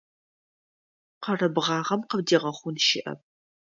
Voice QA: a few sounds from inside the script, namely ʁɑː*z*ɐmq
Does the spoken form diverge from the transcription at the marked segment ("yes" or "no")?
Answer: yes